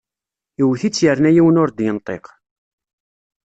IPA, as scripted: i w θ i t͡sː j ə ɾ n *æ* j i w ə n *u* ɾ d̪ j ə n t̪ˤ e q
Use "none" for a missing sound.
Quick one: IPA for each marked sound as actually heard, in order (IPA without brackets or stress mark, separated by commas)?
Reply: æ, ʊ